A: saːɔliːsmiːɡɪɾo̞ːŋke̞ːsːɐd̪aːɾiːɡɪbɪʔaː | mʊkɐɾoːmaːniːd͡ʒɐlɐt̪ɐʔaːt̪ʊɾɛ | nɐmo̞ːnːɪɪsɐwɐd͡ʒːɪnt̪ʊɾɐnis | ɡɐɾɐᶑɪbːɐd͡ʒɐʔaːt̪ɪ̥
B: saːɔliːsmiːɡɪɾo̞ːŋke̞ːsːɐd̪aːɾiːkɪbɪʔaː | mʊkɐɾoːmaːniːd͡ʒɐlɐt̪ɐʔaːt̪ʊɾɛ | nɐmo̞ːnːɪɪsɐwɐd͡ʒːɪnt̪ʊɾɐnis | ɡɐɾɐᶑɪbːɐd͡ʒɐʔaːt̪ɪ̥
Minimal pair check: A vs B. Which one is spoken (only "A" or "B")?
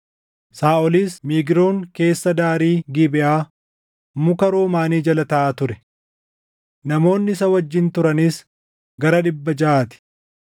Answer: A